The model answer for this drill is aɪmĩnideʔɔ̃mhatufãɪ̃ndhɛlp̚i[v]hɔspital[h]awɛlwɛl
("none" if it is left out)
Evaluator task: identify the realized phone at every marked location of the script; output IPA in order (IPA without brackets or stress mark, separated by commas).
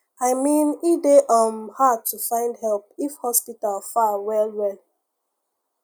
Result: f, f